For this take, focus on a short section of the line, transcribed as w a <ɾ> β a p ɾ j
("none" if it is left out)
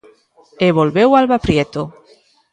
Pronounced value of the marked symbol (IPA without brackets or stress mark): l